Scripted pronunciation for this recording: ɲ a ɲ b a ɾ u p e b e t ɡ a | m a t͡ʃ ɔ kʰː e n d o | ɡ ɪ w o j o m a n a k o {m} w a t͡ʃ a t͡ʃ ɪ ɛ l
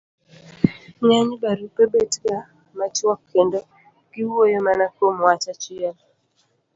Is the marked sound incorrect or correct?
correct